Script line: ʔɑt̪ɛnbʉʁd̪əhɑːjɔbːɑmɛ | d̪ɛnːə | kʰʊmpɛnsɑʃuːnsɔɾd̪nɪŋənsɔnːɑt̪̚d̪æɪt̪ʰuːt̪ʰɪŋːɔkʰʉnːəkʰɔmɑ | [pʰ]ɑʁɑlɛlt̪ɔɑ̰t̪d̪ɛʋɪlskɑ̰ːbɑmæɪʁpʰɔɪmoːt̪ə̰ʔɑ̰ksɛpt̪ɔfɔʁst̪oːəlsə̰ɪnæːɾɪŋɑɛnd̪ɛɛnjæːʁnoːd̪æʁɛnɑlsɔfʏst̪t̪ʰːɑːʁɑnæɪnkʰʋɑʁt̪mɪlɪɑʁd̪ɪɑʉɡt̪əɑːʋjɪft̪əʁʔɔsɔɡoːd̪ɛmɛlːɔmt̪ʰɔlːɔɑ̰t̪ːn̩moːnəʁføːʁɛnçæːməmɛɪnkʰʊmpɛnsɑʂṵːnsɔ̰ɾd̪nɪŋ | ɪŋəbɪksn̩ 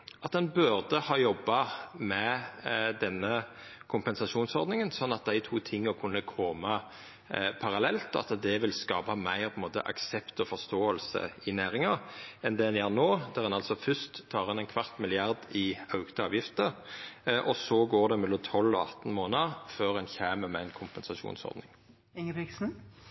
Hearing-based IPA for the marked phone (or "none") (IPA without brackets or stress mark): pʰ